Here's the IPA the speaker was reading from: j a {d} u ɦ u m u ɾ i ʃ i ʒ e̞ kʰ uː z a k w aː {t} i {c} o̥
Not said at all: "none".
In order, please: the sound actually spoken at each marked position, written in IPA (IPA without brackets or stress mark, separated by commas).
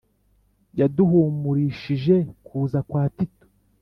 d, t, t